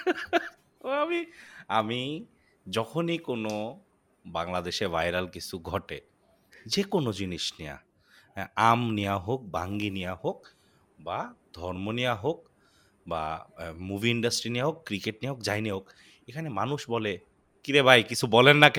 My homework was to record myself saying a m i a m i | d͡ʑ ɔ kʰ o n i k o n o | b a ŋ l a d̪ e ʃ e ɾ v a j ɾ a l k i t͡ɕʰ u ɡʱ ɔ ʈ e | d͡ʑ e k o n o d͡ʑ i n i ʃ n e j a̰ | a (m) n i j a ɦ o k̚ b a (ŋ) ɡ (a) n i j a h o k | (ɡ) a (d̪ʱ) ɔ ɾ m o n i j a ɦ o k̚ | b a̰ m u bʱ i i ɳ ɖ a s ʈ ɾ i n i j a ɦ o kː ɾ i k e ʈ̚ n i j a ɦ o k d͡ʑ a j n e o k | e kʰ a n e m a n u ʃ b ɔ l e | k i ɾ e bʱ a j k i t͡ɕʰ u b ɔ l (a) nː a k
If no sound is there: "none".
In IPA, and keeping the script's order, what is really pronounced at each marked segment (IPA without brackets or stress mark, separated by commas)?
m, ŋ, i, b, d̪ʱ, e